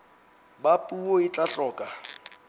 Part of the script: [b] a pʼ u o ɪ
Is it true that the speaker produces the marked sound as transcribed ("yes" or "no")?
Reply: yes